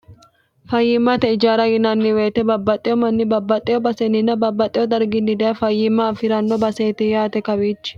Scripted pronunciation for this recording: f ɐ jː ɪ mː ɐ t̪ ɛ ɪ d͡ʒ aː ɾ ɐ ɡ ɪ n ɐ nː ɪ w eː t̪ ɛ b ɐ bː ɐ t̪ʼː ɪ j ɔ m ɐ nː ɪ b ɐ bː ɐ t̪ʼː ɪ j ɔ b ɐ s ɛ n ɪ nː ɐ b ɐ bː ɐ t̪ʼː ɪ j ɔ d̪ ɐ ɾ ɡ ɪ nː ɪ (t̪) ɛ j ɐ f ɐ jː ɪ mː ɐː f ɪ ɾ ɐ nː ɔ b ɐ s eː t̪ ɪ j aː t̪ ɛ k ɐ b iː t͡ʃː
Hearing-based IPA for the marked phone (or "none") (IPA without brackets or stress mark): d̪